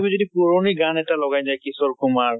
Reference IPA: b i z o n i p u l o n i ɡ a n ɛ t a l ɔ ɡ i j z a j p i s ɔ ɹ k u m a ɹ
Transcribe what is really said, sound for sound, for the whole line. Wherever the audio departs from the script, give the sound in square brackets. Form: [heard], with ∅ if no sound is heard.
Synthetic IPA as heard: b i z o [d] i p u [ɹ] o n i ɡ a n ɛ t a l ɔ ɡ [a] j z a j [k] i s ɔ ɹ k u m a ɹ